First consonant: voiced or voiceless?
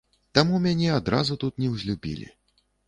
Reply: voiceless